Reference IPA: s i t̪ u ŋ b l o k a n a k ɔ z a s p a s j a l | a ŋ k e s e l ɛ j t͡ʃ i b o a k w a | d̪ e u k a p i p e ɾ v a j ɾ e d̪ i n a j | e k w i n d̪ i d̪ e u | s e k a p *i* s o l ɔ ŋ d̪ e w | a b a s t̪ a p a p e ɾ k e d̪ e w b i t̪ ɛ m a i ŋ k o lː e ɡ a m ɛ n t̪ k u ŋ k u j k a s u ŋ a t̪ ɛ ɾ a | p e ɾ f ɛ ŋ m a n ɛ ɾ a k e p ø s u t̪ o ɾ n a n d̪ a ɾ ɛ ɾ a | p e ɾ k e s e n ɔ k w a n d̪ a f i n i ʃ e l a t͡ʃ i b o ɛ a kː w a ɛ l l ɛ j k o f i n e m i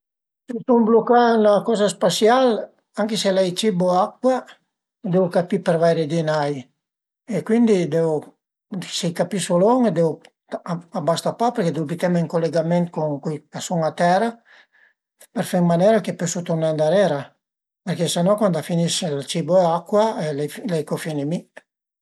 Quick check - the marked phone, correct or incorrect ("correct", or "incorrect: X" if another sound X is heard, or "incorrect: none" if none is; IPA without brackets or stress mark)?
correct